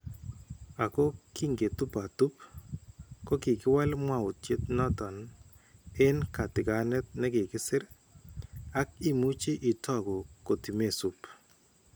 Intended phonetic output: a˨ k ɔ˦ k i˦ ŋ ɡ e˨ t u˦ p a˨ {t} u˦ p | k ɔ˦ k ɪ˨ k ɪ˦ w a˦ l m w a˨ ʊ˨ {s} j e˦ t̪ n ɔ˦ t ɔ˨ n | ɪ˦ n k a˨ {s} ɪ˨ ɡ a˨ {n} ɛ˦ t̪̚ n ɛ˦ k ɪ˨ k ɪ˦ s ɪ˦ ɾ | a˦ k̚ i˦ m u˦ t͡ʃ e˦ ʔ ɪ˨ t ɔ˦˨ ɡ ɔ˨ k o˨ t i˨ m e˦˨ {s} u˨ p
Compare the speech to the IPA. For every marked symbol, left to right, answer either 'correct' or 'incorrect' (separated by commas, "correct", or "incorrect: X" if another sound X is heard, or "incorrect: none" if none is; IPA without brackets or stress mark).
correct, incorrect: t, incorrect: t, correct, correct